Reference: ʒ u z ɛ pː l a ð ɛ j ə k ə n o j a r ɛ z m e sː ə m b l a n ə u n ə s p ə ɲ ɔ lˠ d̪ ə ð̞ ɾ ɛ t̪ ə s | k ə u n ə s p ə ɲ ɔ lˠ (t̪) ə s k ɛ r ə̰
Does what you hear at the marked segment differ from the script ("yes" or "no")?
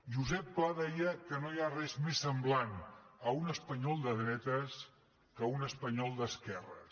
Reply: yes